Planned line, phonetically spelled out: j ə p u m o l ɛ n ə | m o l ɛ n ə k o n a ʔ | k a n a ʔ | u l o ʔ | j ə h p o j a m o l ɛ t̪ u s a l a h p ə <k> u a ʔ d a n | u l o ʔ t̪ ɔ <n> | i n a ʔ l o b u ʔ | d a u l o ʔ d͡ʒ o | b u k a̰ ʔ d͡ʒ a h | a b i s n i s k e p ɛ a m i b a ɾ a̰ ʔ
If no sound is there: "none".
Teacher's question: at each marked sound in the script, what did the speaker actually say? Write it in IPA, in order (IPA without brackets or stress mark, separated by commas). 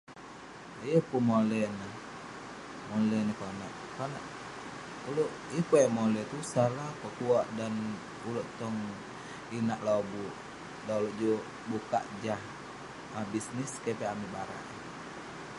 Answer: k, ŋ